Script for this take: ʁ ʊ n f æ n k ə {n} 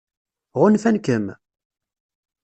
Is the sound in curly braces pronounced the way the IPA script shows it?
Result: no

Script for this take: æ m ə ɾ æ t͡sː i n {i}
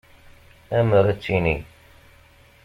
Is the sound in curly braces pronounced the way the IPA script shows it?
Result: yes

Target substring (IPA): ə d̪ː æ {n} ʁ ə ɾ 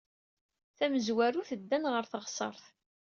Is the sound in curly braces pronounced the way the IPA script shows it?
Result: yes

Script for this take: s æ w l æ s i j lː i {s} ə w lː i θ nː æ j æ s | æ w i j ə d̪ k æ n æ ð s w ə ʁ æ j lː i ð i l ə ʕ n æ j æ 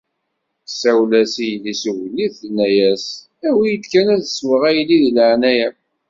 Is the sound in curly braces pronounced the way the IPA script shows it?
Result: yes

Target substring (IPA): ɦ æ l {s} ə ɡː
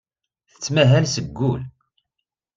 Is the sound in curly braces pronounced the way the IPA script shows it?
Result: yes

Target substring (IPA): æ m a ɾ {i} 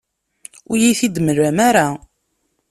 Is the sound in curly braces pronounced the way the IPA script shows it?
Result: no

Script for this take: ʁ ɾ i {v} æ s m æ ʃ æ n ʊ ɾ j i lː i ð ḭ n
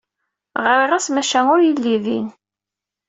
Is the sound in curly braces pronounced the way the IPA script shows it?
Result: no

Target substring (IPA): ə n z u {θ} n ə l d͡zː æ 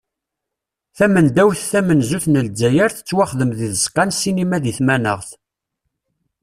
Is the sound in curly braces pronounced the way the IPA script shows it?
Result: yes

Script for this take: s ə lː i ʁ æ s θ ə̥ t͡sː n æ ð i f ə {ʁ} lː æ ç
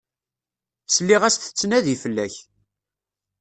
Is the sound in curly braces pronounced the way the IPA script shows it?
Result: no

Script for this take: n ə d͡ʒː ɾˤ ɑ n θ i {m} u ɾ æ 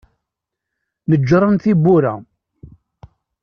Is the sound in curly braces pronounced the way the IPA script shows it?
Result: no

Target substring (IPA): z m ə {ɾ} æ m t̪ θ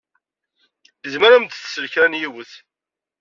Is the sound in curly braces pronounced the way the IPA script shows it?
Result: yes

